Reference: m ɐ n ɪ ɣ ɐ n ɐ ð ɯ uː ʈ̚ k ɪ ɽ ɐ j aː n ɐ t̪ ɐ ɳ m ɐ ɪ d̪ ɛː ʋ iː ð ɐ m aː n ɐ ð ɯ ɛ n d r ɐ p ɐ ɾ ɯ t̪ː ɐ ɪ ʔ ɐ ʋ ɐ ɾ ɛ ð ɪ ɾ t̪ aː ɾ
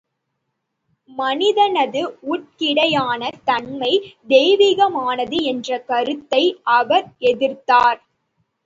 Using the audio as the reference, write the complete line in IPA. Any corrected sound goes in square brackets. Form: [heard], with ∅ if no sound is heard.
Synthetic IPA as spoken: m ɐ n ɪ [ð] ɐ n ɐ ð ɯ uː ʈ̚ k ɪ ɽ ɐ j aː n ɐ t̪ ɐ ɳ m ɐ ɪ d̪ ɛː ʋ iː [ɣ] ɐ m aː n ɐ ð ɯ ɛ n d r ɐ [k] ɐ ɾ ɯ t̪ː ɐ ɪ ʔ ɐ ʋ ɐ ɾ ɛ ð ɪ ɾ t̪ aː ɾ